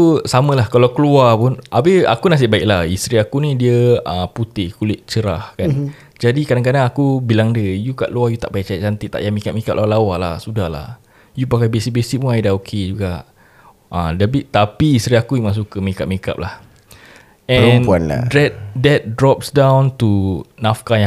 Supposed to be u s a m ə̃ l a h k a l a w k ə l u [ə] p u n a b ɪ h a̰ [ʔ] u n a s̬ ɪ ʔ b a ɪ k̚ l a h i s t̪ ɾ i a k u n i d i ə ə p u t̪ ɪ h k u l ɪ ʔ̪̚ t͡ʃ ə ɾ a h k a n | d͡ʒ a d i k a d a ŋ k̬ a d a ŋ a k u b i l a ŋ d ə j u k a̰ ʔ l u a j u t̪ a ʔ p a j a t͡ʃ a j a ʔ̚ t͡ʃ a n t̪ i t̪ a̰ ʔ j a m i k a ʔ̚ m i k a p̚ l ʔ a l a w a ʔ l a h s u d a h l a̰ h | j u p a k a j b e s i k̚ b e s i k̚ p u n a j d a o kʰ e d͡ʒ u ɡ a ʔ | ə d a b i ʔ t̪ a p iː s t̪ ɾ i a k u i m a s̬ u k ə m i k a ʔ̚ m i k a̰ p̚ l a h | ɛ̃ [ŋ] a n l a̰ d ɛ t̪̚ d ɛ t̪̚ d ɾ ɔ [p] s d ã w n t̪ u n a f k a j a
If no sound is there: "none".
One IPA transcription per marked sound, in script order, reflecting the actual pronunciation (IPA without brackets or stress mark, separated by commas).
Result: a, k, n, p